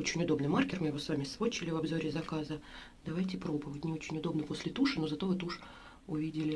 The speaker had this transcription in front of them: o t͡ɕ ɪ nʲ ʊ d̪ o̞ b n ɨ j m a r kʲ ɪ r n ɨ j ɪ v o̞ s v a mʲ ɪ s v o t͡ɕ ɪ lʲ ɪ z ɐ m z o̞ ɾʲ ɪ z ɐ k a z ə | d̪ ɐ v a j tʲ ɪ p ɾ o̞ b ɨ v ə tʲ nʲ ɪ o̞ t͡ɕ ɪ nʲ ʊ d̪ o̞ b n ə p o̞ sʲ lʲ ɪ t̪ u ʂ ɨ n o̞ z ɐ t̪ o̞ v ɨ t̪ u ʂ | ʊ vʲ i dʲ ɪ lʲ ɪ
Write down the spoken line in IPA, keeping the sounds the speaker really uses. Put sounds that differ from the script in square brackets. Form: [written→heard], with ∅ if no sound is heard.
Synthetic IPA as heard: o t͡ɕ ɪ nʲ ʊ d̪ o̞ b n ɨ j m a r kʲ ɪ r [n→m] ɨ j ɪ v o̞ s v a mʲ ɪ s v o t͡ɕ ɪ lʲ ɪ [z→v] ɐ [m→b] z o̞ ɾʲ ɪ z ɐ k a z ə | d̪ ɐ v a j tʲ ɪ p ɾ o̞ b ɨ v ə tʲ nʲ ɪ o̞ t͡ɕ ɪ nʲ ʊ d̪ o̞ b n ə p o̞ sʲ lʲ ɪ t̪ u ʂ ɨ n o̞ z ɐ t̪ o̞ v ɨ t̪ u ʂ | ʊ vʲ i dʲ ɪ lʲ ɪ